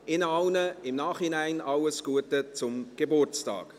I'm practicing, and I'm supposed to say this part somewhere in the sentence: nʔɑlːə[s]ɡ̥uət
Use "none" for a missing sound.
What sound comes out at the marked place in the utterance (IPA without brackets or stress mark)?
s